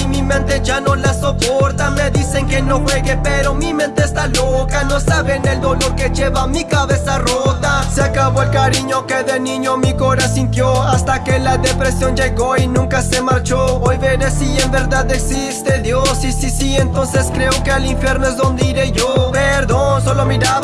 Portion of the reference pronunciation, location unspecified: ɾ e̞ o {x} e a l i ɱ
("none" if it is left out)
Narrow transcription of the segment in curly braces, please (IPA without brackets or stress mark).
k